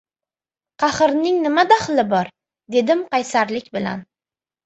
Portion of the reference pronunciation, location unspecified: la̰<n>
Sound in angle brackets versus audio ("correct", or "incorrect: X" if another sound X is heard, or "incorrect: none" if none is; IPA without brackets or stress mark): correct